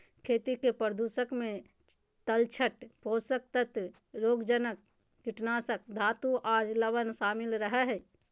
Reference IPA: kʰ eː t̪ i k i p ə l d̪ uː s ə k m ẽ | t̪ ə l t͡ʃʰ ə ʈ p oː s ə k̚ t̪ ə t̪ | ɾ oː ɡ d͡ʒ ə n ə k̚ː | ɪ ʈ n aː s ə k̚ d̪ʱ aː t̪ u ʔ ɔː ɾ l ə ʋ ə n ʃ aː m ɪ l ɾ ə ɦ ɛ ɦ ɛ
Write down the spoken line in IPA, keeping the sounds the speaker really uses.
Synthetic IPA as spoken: kʰ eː t̪ i k e p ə ɾ d̪ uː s ə k m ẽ | t̪ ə l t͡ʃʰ ə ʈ p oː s ə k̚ t̪ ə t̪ | ɾ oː ɡ d͡ʒ ə n ə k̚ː | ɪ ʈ n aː s ə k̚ d̪ʱ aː t̪ u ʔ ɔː ɾ l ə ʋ ə n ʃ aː m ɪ l ɾ ə ɦ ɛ ɦ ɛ